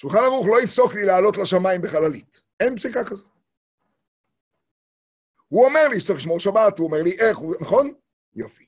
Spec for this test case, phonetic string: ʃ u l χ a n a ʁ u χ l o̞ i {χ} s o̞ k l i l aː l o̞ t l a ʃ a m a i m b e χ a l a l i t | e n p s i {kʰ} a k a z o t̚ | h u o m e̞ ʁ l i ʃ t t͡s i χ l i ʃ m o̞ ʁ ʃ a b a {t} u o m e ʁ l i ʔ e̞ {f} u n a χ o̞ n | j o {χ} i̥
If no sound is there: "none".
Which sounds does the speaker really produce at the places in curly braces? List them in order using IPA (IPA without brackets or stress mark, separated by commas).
f, k, t, χ, f